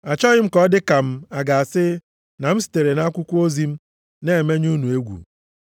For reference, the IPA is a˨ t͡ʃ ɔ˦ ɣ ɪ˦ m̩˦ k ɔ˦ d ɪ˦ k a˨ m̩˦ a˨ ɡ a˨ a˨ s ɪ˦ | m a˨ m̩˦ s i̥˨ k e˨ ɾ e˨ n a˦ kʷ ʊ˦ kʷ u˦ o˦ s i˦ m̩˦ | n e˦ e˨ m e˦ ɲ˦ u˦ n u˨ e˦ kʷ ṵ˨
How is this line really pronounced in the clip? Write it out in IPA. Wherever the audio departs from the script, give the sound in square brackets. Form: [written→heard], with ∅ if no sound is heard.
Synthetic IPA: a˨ t͡ʃ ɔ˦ ɣ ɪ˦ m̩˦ k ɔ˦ d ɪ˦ k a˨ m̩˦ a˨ ɡ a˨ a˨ s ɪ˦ | [m→n] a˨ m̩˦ s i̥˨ [k→t] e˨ ɾ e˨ n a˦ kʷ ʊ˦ kʷ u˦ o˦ [s→z] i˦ m̩˦ | n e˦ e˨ m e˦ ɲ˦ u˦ n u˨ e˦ [kʷ→ɡʷ] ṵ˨

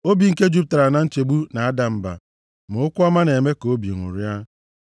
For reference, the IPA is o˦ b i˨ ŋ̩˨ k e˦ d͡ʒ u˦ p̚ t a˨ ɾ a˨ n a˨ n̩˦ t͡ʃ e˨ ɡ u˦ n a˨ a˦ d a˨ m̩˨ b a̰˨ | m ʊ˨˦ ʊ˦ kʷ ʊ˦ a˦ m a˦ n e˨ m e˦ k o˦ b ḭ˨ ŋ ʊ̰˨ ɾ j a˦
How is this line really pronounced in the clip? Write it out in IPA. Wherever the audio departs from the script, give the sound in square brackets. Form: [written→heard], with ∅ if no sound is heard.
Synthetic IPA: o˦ b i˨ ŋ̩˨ k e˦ d͡ʒ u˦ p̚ t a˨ ɾ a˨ n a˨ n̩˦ t͡ʃ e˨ [ɡ→ɡ͡b] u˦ n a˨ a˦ d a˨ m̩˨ b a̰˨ | m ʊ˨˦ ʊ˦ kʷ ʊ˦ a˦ m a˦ n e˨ m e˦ k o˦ b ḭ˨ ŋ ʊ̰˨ ɾ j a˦

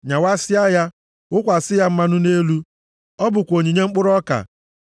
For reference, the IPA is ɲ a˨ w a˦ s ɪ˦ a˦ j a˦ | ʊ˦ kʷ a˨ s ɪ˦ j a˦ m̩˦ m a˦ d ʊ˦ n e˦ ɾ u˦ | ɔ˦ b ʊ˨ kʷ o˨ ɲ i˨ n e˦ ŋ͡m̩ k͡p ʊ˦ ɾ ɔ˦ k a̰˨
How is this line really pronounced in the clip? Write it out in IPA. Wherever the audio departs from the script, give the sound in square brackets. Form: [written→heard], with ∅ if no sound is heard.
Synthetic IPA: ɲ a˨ w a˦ s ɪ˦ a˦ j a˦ | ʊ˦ kʷ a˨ s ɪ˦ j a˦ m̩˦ m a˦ [d→n] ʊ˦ n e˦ [ɾ→l] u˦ | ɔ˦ b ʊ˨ kʷ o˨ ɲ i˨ [n→ɲ] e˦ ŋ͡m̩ k͡p ʊ˦ ɾ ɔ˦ k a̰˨

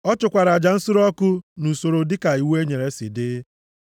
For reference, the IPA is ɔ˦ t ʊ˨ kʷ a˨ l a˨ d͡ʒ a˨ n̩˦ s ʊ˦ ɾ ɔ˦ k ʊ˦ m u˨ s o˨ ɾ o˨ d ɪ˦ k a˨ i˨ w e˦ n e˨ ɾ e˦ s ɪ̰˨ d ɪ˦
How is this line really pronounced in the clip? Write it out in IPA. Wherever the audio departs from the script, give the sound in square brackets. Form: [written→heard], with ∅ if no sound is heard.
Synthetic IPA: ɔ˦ [t→t͡ʃ] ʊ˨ kʷ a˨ [l→ɾ] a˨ d͡ʒ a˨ n̩˦ s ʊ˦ ɾ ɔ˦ k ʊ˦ [m→n] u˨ s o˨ ɾ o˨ d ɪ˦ k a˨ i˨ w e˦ [n→ɲ] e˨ ɾ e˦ s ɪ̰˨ d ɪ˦

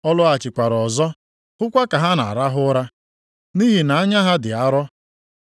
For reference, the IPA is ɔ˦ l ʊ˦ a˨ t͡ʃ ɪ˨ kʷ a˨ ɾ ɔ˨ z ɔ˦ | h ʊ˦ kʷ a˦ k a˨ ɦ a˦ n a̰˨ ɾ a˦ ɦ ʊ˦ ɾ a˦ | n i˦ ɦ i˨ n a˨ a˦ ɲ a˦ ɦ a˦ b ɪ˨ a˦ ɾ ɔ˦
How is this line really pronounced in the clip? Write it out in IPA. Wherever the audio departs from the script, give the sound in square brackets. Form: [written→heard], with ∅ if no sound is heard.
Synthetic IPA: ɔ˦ l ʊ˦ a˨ t͡ʃ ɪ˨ kʷ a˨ ɾ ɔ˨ z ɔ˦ | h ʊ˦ kʷ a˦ k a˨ ɦ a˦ n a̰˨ ɾ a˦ ɦ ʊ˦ ɾ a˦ | n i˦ ɦ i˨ n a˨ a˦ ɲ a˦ ɦ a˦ [b→d] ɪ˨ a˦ ɾ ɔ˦

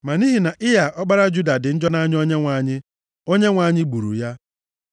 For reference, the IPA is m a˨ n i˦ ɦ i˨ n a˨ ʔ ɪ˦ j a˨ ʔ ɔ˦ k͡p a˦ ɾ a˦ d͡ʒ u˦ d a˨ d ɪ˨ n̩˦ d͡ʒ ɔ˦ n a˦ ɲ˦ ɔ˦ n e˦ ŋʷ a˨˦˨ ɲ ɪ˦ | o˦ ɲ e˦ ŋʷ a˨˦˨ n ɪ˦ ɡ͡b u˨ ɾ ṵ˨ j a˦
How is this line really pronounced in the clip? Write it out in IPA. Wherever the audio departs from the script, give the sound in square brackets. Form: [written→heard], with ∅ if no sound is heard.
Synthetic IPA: m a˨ n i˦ ɦ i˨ n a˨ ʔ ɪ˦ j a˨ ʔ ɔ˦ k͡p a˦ ɾ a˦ d͡ʒ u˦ d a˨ d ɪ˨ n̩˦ d͡ʒ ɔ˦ n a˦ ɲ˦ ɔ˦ [n→ɲ] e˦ ŋʷ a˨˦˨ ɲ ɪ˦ | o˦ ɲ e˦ ŋʷ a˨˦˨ [n→ɲ] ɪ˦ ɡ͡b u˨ ɾ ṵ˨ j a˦

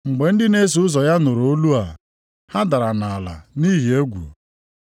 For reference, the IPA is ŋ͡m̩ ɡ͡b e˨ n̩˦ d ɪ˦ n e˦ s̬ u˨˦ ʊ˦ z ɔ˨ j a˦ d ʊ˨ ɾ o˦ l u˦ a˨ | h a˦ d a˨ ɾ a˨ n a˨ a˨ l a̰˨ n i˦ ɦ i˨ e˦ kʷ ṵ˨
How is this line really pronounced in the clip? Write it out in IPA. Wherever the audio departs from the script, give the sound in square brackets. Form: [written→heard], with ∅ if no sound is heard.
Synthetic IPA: ŋ͡m̩ ɡ͡b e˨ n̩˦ d ɪ˦ n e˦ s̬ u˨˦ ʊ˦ z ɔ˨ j a˦ [d→n] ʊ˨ ɾ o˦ l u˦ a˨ | h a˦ d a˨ ɾ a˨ n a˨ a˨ l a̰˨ n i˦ ɦ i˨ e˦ [kʷ→ɡʷ] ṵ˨

